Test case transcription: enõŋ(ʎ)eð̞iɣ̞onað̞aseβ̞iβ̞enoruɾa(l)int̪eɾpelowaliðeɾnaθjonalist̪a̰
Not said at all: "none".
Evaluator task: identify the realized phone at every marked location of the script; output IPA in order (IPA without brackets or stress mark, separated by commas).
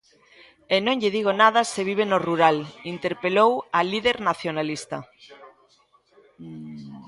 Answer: ʎ, l